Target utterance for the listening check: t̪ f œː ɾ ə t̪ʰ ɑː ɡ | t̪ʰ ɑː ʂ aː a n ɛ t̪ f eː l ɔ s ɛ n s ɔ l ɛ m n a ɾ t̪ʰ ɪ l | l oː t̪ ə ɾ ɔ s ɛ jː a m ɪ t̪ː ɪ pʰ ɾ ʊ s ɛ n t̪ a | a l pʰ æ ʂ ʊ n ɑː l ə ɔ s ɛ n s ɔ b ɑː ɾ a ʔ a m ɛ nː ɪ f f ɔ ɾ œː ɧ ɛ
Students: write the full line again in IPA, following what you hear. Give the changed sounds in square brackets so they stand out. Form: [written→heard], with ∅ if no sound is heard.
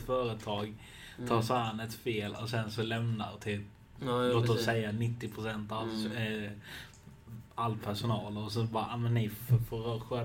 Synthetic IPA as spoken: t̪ f œː ɾ ə t̪ʰ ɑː ɡ | t̪ʰ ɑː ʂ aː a n ɛ t̪ f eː l ɔ s ɛ n s ɔ l ɛ m n a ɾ t̪ʰ ɪ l | l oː t̪ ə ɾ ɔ s ɛ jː a [m→n] ɪ t̪ː ɪ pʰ ɾ ʊ s ɛ n t̪ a | a l pʰ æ ʂ ʊ n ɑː l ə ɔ s ɛ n s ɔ b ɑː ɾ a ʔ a m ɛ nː ɪ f f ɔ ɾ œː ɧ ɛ